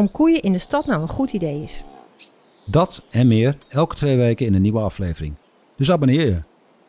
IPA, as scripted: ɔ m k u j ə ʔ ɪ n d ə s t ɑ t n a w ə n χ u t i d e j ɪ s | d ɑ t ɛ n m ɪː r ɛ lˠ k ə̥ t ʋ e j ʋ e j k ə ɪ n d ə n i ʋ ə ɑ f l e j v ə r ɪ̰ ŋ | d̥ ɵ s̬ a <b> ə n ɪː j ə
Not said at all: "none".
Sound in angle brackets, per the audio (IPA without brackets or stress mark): b